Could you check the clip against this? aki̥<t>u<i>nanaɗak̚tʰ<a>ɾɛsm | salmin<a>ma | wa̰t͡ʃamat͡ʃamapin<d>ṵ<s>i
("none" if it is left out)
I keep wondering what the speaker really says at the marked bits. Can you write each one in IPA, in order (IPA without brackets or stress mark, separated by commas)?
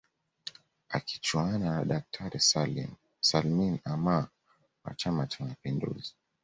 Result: t͡ʃ, a, a, a, d, z